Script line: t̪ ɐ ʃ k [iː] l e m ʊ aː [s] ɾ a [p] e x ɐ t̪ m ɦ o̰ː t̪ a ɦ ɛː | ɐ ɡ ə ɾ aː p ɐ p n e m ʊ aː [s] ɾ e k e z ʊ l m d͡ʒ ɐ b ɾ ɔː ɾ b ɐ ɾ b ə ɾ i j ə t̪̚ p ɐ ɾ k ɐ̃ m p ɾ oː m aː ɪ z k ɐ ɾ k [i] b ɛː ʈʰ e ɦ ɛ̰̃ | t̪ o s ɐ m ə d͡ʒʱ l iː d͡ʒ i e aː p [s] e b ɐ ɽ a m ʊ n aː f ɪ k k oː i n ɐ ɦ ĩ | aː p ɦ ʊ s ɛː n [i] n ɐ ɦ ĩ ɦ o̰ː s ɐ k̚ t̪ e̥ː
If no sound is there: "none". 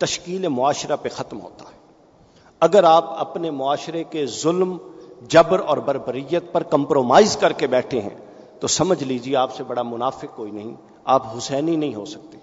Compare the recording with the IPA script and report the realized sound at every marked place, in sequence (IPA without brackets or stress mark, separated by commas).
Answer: iː, ʃ, p, ʃ, e, s, i